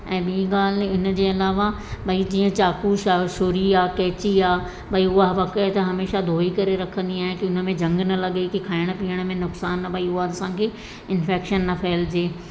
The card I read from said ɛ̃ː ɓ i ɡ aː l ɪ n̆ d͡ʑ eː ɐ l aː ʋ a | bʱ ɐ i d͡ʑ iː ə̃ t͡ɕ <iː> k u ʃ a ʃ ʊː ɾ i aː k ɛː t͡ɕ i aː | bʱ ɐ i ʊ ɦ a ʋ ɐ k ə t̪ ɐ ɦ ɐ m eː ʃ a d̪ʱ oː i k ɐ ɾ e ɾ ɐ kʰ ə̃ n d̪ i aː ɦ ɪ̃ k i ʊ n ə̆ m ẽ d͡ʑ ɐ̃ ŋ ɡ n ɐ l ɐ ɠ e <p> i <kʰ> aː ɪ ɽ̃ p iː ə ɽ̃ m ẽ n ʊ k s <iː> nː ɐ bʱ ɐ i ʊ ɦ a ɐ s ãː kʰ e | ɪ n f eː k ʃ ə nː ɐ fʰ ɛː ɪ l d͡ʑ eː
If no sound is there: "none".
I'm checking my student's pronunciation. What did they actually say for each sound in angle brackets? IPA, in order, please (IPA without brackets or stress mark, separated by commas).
aː, k, kʰ, aː